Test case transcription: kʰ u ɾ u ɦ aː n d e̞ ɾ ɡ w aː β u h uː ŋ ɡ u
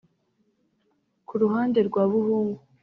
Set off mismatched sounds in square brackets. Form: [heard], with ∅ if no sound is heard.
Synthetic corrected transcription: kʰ u ɾ u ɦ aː n d e̞ ɾ ɡ w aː β u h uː ŋ ɡ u